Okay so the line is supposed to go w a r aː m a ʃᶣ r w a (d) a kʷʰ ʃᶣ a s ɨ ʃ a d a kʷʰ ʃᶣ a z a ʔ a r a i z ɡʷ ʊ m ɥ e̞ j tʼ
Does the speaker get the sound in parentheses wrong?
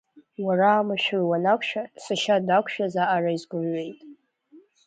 yes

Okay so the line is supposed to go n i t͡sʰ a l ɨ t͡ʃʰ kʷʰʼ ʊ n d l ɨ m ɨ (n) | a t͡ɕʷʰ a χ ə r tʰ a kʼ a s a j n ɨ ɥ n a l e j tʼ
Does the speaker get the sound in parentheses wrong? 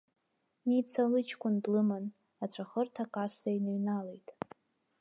no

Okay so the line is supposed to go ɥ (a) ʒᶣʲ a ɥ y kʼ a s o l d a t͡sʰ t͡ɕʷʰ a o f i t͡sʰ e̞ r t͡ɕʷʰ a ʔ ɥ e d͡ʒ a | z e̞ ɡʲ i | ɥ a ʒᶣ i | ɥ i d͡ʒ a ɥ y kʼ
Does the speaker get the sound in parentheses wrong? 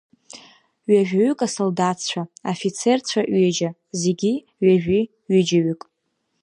no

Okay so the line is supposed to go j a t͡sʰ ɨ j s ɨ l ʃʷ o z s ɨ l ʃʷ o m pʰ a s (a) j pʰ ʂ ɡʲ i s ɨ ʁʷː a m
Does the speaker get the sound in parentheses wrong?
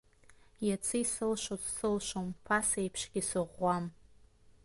yes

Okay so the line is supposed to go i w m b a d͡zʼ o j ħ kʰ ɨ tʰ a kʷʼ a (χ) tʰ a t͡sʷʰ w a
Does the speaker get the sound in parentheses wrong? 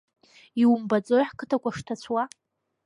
yes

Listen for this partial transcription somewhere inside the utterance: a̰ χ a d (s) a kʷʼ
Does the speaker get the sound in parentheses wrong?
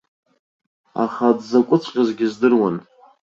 yes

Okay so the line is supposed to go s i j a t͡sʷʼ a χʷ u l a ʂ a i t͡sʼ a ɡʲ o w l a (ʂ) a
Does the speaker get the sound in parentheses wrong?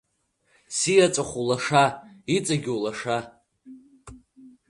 no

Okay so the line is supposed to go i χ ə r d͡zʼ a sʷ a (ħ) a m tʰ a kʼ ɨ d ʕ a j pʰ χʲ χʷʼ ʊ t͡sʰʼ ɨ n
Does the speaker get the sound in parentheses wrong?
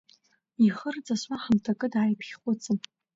no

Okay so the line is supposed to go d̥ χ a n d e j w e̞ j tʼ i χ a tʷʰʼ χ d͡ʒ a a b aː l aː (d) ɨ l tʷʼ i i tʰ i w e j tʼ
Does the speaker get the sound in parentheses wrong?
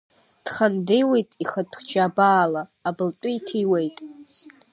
yes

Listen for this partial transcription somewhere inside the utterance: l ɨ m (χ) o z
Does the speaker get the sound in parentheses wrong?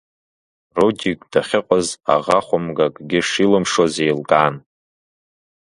yes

